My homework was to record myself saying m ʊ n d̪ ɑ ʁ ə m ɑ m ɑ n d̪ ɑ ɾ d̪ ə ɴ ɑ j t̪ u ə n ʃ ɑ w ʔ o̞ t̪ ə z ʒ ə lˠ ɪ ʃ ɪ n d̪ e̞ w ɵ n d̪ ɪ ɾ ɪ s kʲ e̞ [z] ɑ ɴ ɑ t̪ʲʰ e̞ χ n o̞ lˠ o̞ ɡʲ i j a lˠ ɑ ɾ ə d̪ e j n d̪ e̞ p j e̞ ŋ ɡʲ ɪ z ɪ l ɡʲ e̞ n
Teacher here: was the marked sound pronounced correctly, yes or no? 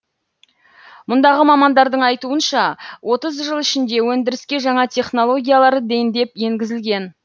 no